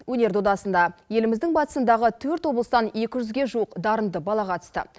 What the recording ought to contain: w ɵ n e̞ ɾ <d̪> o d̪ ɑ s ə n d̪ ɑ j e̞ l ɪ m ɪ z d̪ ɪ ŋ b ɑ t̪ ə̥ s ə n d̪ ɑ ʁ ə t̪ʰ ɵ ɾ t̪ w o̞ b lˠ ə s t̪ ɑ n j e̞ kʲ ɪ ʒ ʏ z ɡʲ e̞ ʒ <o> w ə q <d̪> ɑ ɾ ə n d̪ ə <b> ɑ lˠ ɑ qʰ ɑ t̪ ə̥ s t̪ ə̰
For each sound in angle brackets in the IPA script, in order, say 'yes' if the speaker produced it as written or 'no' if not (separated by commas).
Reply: yes, no, yes, yes